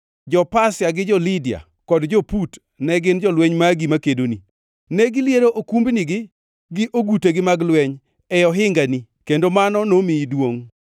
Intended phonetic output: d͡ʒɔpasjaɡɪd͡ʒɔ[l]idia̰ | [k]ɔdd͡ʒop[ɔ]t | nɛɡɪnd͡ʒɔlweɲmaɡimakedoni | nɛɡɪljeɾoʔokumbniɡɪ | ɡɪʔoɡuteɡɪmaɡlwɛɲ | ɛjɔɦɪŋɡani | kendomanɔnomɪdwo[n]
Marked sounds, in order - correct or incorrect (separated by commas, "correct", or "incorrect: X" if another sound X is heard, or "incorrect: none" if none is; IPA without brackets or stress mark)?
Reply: correct, correct, incorrect: u, incorrect: ŋ